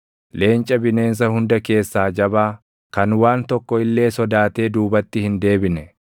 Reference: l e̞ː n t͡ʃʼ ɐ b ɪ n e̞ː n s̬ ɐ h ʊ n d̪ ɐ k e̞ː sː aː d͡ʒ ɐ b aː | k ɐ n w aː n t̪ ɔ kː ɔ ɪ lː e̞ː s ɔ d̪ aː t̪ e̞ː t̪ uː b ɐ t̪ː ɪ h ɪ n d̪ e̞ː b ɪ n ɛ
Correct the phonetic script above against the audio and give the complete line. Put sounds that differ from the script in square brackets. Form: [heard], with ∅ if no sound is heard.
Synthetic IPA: l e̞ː n t͡ʃʼ ɐ b ɪ n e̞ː n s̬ ɐ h ʊ n d̪ ɐ k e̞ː sː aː d͡ʒ ɐ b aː | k ɐ n w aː n t̪ ɔ kː ɔ ɪ lː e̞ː s ɔ d̪ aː t̪ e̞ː [d̪] uː b ɐ t̪ː ɪ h ɪ n d̪ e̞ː b ɪ n ɛ

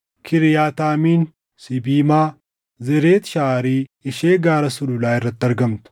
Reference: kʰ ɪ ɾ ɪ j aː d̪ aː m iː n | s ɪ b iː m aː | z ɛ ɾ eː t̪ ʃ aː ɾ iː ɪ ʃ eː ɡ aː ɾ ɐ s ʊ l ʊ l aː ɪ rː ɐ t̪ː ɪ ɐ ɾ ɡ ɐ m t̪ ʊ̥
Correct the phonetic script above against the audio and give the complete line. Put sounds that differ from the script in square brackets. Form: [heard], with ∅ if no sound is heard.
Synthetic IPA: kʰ ɪ ɾ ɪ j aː [t̪] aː m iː n | s ɪ b iː m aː | z ɛ ɾ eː t̪ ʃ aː ɾ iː ɪ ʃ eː ɡ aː ɾ ɐ s ʊ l ʊ l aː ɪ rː ɐ t̪ː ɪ ɐ ɾ ɡ ɐ m t̪ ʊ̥

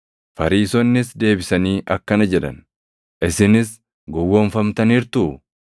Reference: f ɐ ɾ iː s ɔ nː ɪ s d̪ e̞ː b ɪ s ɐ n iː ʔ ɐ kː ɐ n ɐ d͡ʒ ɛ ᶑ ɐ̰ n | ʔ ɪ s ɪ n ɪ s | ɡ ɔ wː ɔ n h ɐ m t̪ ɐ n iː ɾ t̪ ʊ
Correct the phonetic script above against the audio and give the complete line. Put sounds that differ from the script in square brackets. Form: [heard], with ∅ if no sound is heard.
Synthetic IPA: f ɐ ɾ iː s ɔ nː ɪ s d̪ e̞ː b ɪ s ɐ n iː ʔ ɐ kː ɐ n ɐ d͡ʒ ɛ ᶑ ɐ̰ n | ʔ ɪ s ɪ n ɪ s | ɡ ɔ wː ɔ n [f] ɐ m t̪ ɐ n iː ɾ t̪ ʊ

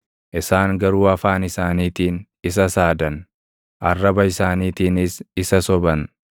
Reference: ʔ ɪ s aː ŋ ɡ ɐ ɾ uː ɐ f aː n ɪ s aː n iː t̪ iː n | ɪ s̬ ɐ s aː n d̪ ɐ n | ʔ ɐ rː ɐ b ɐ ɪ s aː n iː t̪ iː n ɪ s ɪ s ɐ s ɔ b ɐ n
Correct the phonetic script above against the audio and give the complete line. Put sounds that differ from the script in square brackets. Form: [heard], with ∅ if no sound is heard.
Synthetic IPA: ʔ ɪ s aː ŋ ɡ ɐ ɾ uː ɐ f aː n ɪ s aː n iː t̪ iː n | ɪ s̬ ɐ s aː [∅] d̪ ɐ n | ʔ ɐ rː ɐ b ɐ ɪ s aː n iː t̪ iː n ɪ s ɪ s ɐ s ɔ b ɐ n

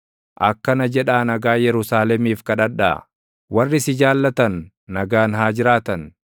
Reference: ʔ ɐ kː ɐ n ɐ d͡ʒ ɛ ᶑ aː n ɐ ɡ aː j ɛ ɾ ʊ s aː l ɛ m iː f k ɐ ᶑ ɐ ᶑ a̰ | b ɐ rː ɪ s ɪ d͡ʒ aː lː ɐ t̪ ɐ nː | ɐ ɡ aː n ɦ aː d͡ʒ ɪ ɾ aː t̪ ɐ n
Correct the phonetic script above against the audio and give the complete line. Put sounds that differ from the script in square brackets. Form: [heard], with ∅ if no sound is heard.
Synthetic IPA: ʔ ɐ kː ɐ n ɐ d͡ʒ ɛ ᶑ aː n ɐ ɡ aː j ɛ ɾ ʊ s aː l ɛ m iː f k ɐ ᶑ ɐ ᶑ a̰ | [w] ɐ rː ɪ s ɪ d͡ʒ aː lː ɐ t̪ ɐ nː | ɐ ɡ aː n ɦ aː d͡ʒ ɪ ɾ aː t̪ ɐ n

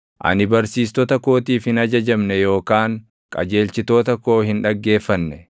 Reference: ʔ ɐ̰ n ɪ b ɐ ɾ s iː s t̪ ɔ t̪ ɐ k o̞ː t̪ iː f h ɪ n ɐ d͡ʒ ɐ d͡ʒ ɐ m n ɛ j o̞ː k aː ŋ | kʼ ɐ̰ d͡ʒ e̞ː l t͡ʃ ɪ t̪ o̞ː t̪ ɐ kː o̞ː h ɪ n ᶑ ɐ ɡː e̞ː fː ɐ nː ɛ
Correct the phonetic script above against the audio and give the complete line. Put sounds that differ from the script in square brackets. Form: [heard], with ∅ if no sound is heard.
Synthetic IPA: ʔ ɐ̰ n ɪ b ɐ ɾ s iː s t̪ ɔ t̪ ɐ k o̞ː t̪ iː f h ɪ n ɐ d͡ʒ ɐ d͡ʒ ɐ m n ɛ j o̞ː k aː ŋ | kʼ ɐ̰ d͡ʒ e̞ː l t͡ʃ ɪ t̪ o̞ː t̪ ɐ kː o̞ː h ɪ n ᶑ ɐ ɡː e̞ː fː ɐ nː ɛ

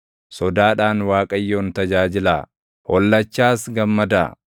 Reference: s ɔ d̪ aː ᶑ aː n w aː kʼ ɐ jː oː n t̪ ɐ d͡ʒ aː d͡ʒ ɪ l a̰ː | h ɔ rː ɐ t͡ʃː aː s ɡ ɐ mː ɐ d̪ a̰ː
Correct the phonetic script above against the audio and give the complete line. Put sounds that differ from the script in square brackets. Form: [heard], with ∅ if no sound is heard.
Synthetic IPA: s ɔ d̪ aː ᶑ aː n w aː kʼ ɐ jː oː n t̪ ɐ d͡ʒ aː d͡ʒ ɪ l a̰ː | h ɔ [lː] ɐ t͡ʃː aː s ɡ ɐ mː ɐ d̪ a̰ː

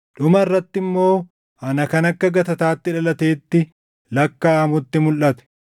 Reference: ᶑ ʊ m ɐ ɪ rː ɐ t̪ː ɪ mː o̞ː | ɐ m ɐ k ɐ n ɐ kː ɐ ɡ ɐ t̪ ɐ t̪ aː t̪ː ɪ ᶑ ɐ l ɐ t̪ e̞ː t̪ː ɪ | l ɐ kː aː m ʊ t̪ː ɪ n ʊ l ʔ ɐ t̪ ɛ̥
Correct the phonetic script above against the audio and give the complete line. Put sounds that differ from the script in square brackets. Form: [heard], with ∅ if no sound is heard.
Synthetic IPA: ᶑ ʊ m ɐ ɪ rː ɐ t̪ː ɪ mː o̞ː | ɐ [n] ɐ k ɐ n ɐ kː ɐ ɡ ɐ t̪ ɐ t̪ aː t̪ː ɪ ᶑ ɐ l ɐ t̪ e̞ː t̪ː ɪ | l ɐ kː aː m ʊ t̪ː ɪ [m] ʊ l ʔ ɐ t̪ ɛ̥

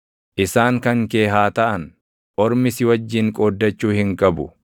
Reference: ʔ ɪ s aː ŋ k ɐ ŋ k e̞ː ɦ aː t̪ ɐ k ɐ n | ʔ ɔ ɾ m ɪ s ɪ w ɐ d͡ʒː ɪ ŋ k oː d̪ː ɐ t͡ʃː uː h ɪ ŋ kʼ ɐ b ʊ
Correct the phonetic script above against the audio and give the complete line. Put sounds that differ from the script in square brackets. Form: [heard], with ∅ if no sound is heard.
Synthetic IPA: ʔ ɪ s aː ŋ k ɐ ŋ k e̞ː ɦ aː t̪ ɐ [ʔ] ɐ n | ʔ ɔ ɾ m ɪ s ɪ w ɐ d͡ʒː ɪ ŋ [kʼ] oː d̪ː ɐ t͡ʃː uː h ɪ ŋ kʼ ɐ b ʊ

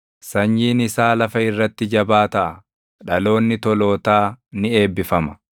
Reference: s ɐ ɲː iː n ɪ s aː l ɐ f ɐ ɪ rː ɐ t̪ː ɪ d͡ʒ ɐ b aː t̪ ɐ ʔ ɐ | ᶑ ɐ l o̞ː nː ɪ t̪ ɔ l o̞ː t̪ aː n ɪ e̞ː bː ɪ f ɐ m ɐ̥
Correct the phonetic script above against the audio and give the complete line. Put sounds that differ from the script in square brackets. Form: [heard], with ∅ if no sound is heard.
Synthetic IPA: s ɐ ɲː iː n ɪ s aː l ɐ f ɐ ɪ rː ɐ t̪ː ɪ d͡ʒ ɐ b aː t̪ ɐ ʔ ɐ | ᶑ ɐ l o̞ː nː ɪ t̪ ɔ l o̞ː t̪ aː n ɪ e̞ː bː ɪ f ɐ m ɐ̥

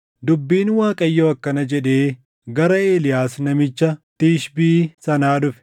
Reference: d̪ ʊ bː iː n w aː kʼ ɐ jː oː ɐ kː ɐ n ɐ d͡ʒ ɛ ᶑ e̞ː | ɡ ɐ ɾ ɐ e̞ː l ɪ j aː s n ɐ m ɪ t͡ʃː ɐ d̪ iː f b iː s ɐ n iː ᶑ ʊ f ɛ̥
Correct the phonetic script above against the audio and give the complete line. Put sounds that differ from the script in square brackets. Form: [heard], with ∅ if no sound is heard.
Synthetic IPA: d̪ ʊ bː iː n w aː kʼ ɐ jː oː ɐ kː ɐ n ɐ d͡ʒ ɛ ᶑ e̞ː | ɡ ɐ ɾ ɐ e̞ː l ɪ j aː s n ɐ m ɪ t͡ʃː ɐ [t̪] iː [ʃ] b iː s ɐ n [aː] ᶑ ʊ f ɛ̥

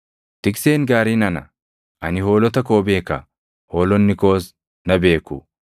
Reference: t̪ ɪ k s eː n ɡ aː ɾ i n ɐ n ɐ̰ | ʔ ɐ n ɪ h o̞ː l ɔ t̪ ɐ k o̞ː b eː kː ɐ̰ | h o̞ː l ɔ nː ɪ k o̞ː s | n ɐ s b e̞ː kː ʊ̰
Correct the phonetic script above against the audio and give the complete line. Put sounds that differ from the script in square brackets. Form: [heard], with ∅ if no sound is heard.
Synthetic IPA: t̪ ɪ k s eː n ɡ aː ɾ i n ɐ n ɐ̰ | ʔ ɐ n ɪ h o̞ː l ɔ t̪ ɐ k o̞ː b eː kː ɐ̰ | h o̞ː l ɔ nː ɪ k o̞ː s | n ɐ [∅] b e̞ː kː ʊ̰

